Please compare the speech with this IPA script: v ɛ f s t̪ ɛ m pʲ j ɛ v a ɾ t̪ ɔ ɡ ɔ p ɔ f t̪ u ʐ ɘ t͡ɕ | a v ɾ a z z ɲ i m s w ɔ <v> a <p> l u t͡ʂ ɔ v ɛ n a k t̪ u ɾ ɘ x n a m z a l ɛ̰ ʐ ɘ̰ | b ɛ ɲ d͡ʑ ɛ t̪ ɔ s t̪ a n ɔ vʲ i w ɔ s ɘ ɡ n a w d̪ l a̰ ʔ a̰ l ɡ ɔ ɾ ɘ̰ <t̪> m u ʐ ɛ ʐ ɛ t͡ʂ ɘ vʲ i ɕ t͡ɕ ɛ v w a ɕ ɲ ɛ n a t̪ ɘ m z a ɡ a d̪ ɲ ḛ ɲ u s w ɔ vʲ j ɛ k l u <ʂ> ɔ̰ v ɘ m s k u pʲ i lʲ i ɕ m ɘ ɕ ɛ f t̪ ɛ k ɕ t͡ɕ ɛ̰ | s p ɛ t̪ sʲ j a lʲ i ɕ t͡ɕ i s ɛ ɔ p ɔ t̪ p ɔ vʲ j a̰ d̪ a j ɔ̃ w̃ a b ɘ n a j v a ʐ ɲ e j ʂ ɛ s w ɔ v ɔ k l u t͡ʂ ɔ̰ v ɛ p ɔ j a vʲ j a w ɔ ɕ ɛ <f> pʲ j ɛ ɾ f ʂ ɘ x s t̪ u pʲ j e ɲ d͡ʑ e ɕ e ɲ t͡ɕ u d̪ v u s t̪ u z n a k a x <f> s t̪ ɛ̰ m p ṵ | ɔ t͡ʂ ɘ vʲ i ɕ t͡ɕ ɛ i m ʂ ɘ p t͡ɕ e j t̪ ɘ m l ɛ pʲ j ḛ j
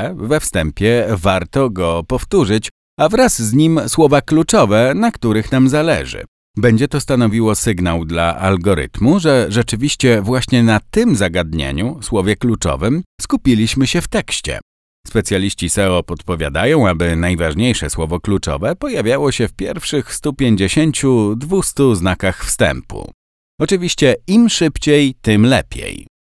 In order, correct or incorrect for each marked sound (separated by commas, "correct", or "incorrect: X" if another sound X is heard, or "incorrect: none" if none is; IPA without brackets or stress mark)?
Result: correct, incorrect: k, correct, incorrect: t͡ʂ, correct, correct